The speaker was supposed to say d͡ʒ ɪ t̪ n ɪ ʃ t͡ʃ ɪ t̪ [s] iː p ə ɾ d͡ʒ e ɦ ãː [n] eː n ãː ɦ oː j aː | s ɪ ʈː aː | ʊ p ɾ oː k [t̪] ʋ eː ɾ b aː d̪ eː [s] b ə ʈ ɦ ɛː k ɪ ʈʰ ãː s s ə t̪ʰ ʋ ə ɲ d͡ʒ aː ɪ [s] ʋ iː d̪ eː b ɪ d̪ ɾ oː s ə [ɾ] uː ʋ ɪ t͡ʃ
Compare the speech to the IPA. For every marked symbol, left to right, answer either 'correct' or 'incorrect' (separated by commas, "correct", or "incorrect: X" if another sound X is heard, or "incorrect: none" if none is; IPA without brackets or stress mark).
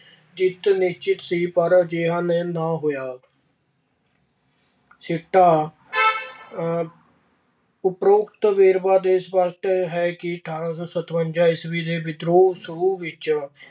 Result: correct, correct, correct, correct, correct, correct